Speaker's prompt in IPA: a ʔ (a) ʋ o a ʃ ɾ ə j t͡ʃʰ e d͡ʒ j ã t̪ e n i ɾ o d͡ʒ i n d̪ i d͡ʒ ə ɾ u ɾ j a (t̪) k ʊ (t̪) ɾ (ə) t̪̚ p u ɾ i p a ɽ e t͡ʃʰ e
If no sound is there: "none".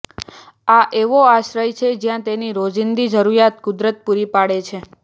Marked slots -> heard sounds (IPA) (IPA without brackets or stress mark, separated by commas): e, t̪, d̪, ə